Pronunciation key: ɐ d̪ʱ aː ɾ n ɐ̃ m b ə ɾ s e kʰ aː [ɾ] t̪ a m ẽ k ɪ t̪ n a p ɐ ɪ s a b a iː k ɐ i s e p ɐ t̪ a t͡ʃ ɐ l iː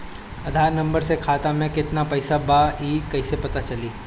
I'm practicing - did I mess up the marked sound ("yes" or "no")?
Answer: yes